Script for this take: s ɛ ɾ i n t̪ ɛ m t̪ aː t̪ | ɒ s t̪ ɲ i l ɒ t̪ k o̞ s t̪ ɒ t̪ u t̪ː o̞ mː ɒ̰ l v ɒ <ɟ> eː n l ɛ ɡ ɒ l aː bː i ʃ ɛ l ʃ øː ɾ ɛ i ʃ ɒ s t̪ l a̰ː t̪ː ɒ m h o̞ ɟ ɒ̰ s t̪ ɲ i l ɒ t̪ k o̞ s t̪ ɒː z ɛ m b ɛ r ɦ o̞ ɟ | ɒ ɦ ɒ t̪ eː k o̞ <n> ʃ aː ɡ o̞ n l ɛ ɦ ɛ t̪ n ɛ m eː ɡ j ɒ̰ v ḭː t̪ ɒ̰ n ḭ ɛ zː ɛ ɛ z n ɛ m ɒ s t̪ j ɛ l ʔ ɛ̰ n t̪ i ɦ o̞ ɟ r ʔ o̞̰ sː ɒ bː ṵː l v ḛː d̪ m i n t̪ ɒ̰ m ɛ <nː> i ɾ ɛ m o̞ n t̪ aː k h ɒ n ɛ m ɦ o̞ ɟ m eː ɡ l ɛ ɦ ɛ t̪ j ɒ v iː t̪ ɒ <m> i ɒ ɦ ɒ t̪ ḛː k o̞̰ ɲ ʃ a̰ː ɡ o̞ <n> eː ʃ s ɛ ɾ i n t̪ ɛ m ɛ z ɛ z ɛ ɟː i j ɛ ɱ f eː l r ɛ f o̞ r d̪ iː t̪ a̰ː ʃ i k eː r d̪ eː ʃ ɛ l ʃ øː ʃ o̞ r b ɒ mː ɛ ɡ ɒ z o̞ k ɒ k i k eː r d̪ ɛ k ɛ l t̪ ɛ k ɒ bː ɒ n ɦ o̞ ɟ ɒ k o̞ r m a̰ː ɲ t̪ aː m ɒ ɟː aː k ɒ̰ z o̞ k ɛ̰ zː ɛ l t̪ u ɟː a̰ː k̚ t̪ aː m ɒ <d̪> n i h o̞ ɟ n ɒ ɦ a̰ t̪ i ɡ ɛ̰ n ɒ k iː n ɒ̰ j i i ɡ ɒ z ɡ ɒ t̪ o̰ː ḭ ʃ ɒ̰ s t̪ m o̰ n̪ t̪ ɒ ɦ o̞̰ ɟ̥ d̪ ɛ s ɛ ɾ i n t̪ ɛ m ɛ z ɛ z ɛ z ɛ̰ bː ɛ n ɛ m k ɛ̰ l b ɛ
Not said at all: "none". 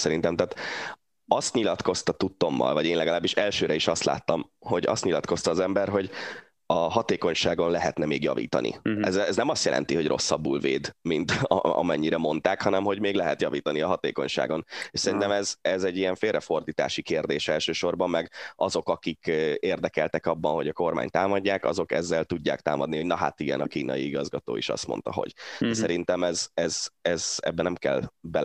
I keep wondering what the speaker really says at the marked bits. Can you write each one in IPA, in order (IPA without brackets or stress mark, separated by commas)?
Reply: ɟ, ɲ, ɲː, n, n, d̪